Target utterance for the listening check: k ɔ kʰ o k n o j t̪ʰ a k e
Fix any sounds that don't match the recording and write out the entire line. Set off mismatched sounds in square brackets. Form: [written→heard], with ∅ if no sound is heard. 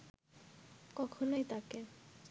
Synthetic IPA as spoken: k ɔ kʰ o [k→∅] n o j [t̪ʰ→t̪] a k e